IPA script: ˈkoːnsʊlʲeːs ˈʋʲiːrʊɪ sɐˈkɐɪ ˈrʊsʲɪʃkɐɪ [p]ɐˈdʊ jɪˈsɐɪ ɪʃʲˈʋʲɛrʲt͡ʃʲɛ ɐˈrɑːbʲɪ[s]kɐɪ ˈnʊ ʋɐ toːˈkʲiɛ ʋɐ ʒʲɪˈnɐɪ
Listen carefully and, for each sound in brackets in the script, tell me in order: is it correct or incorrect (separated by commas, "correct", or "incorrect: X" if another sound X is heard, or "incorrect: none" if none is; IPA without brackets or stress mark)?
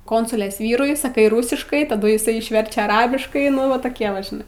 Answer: incorrect: t, incorrect: ʃ